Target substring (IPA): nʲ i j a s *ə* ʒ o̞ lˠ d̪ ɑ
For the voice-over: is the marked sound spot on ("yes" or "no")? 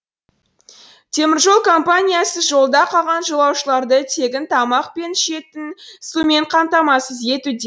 yes